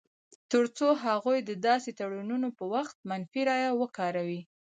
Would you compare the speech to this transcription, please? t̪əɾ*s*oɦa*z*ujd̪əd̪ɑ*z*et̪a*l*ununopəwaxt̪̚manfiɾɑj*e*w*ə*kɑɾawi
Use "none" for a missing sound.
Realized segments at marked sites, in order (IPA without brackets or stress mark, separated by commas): t͡s, ɣ, s, ɽ, a, ə